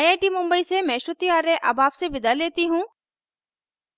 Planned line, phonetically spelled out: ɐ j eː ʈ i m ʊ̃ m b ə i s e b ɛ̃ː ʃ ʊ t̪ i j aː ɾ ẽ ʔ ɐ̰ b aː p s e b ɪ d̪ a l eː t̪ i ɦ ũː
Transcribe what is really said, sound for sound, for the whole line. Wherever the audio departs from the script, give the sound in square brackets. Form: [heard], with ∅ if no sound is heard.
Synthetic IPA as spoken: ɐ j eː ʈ i m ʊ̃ m b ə i s e [m] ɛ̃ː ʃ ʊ t̪ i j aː ɾ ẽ ʔ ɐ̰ b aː p s e b ɪ d̪ a l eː t̪ i ɦ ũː